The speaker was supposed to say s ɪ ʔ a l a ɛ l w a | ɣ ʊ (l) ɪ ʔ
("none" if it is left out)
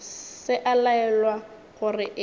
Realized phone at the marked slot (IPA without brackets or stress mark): r